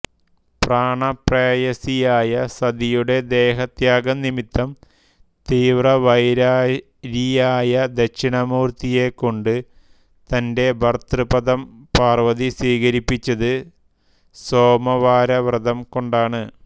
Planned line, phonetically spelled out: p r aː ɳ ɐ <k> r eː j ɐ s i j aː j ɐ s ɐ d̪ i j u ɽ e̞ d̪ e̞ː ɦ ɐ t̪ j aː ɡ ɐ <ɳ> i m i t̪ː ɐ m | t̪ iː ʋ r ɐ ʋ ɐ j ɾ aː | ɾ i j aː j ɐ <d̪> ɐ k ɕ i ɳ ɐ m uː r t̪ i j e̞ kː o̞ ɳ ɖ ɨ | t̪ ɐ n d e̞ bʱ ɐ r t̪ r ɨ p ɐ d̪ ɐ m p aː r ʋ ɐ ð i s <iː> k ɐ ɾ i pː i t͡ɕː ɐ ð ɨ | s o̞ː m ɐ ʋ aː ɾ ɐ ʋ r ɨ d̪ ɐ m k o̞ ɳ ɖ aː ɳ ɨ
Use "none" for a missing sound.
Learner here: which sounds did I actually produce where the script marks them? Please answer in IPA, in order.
p, n, d̪, iː

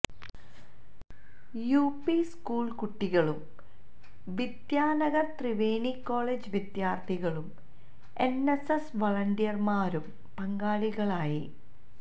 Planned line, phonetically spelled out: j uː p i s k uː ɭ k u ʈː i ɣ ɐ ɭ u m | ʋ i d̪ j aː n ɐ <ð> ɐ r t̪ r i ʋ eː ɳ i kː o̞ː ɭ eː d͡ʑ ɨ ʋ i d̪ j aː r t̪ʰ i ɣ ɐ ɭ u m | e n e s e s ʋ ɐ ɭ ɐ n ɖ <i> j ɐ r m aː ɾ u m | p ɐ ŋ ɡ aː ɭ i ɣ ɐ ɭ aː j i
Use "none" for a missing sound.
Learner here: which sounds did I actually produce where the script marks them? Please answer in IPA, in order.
ɣ, i

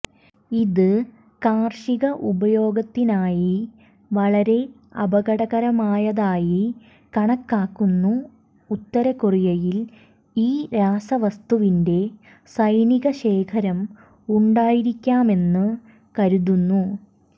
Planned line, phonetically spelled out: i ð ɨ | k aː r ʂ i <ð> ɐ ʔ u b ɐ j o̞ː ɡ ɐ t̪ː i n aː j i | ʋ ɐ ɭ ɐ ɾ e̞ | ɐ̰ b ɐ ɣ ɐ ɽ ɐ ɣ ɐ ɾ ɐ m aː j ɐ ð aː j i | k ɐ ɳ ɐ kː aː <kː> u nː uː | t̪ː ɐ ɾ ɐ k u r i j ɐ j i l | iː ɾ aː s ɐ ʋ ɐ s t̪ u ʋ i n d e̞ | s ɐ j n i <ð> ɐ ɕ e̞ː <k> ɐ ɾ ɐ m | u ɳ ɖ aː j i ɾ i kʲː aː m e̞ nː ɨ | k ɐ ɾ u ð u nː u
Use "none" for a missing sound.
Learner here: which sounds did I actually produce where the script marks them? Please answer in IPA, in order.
ɣ, kː, ɣ, kʰ

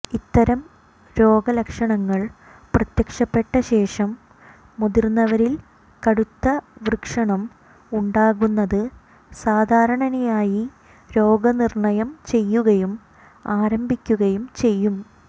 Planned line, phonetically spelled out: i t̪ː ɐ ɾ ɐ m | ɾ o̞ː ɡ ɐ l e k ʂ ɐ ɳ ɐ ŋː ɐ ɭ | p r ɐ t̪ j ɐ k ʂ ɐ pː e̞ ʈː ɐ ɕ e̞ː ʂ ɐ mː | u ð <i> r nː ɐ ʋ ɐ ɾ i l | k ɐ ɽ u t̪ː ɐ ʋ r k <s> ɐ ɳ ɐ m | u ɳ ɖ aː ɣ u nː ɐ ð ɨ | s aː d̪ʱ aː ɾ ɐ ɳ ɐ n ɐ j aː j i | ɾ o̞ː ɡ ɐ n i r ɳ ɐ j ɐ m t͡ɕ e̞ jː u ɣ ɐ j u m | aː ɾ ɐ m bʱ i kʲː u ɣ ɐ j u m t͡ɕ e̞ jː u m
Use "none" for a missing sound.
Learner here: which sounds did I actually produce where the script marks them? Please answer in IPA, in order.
i, ʂ

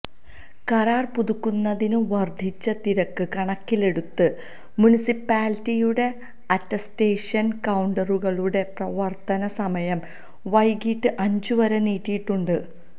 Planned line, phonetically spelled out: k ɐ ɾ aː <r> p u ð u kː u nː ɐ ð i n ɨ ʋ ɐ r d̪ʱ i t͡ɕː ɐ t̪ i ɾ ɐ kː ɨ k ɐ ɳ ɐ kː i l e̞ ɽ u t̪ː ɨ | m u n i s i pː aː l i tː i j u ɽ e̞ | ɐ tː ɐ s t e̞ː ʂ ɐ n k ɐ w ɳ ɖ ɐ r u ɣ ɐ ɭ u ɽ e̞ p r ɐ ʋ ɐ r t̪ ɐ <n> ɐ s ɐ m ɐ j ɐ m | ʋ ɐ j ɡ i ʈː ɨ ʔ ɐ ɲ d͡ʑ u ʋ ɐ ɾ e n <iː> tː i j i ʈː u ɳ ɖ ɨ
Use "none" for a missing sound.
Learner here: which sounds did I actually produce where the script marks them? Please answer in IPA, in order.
r, n, iː

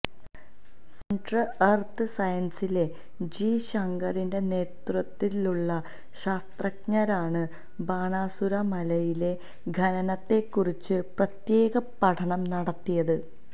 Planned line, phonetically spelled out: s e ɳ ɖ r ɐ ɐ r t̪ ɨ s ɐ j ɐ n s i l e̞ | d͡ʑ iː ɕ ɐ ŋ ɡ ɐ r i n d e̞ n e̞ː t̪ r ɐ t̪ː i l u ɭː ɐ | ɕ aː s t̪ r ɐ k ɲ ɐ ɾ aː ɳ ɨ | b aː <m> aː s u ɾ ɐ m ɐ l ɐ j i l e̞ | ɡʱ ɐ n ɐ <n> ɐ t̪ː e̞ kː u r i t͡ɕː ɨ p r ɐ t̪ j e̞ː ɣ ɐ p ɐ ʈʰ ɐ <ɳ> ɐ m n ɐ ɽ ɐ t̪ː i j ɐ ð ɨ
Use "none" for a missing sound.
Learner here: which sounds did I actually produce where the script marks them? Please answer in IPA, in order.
ɳ, n, ɳ

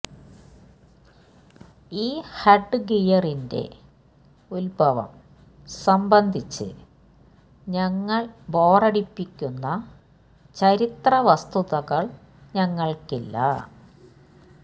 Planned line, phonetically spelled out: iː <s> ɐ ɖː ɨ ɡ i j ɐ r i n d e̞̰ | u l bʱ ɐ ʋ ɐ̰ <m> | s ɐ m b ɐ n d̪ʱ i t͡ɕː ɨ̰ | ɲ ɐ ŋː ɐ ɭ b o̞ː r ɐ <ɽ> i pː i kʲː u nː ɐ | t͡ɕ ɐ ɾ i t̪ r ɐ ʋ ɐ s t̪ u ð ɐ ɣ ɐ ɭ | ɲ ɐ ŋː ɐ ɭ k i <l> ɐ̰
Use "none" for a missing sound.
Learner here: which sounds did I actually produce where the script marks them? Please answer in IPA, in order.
h, m, ɽ, lː

